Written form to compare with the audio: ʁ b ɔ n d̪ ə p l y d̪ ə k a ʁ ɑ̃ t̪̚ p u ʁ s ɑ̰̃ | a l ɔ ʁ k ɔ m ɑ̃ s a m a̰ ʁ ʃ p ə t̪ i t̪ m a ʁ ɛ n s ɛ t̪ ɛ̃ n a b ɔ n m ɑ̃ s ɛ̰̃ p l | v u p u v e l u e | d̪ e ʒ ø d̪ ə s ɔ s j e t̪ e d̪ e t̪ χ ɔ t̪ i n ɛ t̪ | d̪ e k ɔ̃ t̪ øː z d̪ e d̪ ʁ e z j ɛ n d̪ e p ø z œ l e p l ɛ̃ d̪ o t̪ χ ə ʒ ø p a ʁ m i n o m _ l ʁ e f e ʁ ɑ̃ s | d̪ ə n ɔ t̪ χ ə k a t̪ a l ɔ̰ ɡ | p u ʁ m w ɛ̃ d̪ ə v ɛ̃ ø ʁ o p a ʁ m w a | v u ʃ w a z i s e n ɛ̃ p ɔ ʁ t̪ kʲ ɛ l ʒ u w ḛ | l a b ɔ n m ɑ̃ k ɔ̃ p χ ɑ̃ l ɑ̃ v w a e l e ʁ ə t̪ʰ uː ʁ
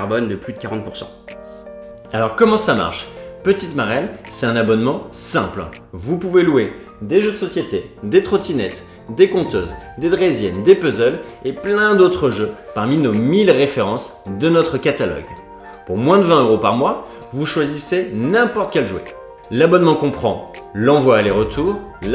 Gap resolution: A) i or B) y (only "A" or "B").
A